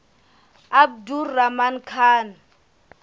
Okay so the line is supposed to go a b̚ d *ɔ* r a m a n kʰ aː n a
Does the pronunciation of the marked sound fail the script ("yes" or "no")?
yes